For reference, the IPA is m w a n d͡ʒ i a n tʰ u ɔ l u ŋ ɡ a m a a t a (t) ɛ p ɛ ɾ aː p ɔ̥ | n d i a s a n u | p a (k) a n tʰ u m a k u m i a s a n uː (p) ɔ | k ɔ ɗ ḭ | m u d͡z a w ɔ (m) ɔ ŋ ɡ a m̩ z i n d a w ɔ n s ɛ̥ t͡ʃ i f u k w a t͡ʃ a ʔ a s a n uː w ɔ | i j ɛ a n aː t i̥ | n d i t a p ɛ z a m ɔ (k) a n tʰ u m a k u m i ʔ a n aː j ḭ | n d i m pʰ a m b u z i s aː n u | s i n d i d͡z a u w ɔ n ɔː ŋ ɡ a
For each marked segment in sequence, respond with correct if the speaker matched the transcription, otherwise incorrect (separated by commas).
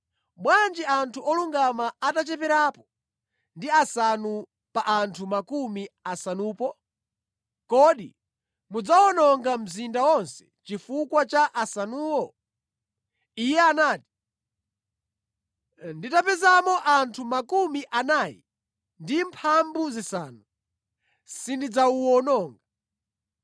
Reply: incorrect, incorrect, correct, incorrect, incorrect